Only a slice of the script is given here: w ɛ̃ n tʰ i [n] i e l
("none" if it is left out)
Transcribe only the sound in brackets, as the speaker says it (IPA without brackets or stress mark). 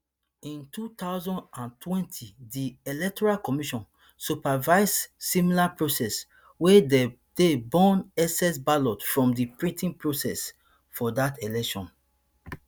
d